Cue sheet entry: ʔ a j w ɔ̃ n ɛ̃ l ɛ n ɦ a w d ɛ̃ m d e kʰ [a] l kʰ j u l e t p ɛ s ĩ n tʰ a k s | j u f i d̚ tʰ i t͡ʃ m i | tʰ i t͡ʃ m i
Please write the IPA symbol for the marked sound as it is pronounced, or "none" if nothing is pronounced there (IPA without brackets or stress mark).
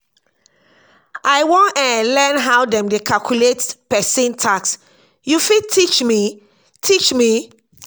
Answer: a